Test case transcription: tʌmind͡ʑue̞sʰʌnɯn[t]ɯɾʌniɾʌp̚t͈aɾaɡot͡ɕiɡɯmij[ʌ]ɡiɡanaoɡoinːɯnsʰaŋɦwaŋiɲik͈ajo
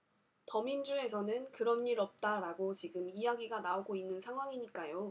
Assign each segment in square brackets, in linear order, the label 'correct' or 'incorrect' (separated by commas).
incorrect, incorrect